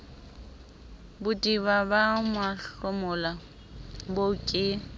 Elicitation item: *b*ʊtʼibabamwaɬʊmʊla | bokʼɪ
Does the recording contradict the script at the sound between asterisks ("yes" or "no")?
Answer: no